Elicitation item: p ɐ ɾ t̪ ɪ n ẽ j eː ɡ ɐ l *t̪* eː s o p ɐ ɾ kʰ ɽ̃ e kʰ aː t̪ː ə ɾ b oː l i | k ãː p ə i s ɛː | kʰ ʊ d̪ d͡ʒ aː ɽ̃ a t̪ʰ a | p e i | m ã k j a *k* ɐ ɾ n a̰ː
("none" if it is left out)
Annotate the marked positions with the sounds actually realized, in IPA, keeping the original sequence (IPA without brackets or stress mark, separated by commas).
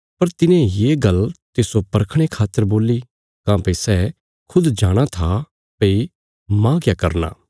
t̪, k